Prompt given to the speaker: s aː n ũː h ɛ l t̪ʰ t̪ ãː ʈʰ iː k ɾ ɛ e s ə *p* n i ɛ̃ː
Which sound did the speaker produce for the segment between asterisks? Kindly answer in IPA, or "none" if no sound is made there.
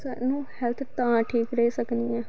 k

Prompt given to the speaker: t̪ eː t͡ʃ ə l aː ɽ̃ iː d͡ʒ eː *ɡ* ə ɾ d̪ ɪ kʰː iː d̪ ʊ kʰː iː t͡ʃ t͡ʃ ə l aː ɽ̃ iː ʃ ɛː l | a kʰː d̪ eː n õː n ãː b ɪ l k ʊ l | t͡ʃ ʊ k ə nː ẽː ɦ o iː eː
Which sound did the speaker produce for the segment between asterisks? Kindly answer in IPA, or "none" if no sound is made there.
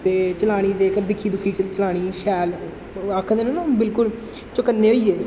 k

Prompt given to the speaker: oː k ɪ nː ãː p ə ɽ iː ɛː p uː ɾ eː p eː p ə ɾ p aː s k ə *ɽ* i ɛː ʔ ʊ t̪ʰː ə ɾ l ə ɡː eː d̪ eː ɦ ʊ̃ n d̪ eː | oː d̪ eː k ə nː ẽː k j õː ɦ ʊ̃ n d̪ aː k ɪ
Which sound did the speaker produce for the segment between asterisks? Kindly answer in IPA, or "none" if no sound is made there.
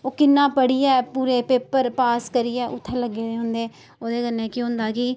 ɾ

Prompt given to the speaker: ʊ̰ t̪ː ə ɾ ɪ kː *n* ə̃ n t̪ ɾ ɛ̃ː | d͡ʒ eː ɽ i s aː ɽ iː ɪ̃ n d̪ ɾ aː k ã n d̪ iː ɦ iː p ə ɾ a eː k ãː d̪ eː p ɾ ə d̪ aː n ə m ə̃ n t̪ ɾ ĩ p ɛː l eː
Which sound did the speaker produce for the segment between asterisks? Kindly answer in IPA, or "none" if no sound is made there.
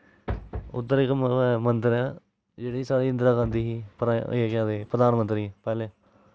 m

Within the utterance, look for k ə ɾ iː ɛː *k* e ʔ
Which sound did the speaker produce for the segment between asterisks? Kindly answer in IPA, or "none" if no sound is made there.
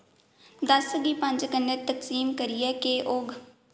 k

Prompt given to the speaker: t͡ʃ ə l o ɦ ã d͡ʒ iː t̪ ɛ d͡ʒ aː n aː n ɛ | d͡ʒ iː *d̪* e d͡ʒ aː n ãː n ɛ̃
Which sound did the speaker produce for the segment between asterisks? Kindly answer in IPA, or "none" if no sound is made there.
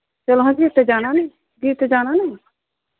t̪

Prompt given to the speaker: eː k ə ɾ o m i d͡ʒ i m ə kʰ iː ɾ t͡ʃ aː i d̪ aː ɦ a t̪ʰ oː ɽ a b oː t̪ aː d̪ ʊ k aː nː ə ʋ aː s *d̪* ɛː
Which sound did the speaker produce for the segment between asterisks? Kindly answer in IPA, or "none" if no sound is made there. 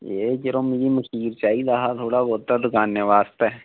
t̪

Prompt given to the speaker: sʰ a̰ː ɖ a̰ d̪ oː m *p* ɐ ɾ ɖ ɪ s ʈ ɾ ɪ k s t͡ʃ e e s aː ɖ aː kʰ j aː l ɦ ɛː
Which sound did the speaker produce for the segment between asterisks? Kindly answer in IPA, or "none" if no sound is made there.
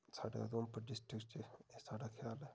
p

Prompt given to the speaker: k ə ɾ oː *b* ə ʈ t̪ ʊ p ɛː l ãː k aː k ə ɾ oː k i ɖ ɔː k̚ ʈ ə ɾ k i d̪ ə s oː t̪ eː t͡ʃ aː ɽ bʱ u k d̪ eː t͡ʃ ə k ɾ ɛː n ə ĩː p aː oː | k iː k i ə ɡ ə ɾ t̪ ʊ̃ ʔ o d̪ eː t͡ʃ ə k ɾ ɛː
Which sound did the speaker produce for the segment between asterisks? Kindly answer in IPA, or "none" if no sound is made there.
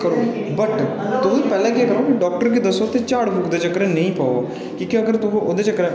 b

